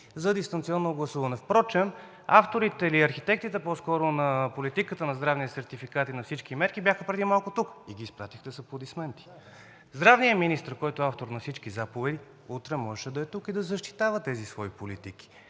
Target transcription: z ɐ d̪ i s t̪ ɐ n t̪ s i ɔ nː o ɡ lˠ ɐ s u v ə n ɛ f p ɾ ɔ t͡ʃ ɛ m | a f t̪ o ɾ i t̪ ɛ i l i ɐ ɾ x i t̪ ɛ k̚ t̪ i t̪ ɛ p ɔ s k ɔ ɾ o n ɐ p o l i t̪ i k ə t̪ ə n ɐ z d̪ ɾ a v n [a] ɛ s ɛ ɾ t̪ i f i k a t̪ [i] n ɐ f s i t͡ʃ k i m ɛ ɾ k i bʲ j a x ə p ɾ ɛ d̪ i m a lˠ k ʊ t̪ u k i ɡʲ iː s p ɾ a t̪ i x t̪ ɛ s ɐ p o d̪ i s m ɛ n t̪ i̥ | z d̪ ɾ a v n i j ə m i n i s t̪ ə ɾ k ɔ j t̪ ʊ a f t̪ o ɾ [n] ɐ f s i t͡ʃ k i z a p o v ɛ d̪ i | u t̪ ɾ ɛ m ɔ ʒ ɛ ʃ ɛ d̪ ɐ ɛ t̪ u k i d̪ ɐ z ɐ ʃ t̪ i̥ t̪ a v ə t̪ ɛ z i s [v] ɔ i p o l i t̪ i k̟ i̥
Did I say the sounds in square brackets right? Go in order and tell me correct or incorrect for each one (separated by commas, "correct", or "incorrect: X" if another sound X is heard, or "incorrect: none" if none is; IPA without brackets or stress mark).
incorrect: i, correct, correct, correct